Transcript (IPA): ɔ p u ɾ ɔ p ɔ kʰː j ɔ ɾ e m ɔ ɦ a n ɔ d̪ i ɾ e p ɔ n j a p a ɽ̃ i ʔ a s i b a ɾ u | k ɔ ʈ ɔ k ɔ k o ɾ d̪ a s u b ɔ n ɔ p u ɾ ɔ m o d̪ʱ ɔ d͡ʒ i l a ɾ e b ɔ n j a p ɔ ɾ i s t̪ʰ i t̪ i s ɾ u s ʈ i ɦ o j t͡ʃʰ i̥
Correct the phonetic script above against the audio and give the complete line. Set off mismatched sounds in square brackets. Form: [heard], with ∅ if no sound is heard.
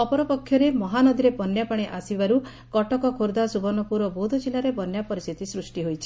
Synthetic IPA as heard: ɔ p [ɔ] ɾ ɔ p ɔ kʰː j ɔ ɾ e m ɔ ɦ a n ɔ d̪ i ɾ e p ɔ n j a p a ɽ̃ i ʔ a s i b a ɾ u | k ɔ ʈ ɔ k ɔ [kʰ] o ɾ d̪ a s u b ɔ n ɔ p u ɾ ɔ [b] o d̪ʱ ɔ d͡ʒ i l a ɾ e b ɔ n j a p ɔ ɾ i s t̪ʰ i t̪ i s ɾ u s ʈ i ɦ o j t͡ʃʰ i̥